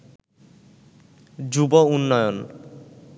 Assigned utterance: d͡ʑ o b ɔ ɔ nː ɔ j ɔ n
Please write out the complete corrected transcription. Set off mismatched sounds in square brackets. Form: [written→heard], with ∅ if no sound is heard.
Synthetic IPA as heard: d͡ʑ [o→u] b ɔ [ɔ→u] nː ɔ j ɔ n